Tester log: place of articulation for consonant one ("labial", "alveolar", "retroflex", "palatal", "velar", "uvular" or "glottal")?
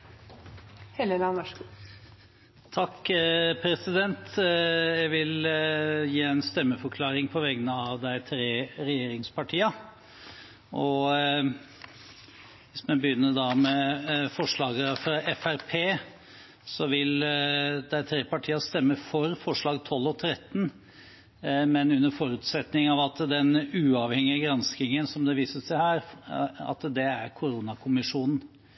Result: glottal